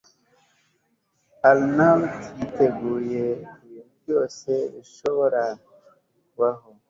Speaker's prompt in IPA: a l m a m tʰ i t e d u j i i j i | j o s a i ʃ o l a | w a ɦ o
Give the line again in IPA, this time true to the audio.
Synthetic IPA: a l n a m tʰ i t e ɡ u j e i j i | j o s e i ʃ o ɾ a | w a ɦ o